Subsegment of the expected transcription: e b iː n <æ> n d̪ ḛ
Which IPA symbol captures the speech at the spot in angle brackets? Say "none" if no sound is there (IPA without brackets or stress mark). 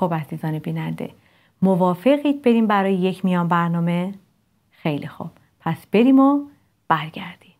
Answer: æ